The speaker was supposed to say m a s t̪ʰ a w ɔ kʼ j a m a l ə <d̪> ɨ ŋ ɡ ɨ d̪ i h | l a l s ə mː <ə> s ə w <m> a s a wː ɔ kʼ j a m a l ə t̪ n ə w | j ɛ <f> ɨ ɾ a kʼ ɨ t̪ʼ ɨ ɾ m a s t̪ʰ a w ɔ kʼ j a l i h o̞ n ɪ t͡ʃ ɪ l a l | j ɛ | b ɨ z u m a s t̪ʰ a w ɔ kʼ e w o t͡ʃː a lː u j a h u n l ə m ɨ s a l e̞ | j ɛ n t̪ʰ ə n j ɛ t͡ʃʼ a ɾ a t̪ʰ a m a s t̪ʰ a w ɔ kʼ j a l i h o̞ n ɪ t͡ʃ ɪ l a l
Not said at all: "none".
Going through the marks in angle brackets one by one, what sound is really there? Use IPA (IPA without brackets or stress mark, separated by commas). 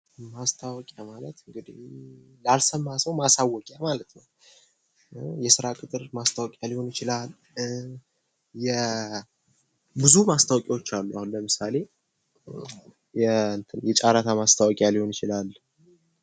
t̪, a, m, s